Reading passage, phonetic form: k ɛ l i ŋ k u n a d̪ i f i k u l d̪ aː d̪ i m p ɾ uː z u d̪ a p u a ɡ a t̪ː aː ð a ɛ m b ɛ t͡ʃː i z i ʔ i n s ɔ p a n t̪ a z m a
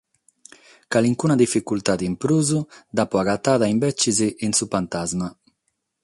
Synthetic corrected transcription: k a l i ŋ k u n a d̪ i f i k u l t̪ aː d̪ i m p ɾ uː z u d̪ a p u a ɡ a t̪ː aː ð a i m b ɛ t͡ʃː i z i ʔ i n s u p a n t̪ a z m a